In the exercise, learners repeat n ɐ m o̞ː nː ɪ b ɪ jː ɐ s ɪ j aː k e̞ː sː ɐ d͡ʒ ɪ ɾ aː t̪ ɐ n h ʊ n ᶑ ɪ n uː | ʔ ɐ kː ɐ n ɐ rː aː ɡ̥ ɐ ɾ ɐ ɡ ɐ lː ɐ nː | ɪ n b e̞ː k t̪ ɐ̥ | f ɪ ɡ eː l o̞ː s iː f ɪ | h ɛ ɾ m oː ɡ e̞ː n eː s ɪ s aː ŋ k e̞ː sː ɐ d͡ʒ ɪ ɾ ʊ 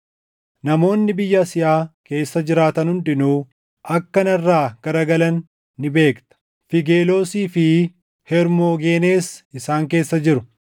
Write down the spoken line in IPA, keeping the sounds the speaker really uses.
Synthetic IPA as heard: n ɐ m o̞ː nː ɪ b ɪ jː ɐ s ɪ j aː k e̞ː sː ɐ d͡ʒ ɪ ɾ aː t̪ ɐ n h ʊ n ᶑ ɪ n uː | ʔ ɐ kː ɐ n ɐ rː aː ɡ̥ ɐ ɾ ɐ ɡ ɐ l ɐ nː | ɪ b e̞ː k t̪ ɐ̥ | f ɪ ɡ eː l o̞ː s iː f ɪ | h ɛ ɾ m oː ɡ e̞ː n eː s ɪ s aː ŋ k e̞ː sː ɐ d͡ʒ ɪ ɾ ʊ